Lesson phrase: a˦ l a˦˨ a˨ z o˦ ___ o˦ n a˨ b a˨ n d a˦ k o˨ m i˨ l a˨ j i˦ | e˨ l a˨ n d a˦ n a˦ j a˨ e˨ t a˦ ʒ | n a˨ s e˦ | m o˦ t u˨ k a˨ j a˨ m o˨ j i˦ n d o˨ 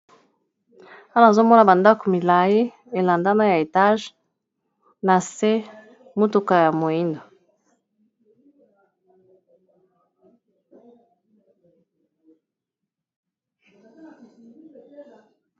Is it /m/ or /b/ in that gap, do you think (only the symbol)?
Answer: m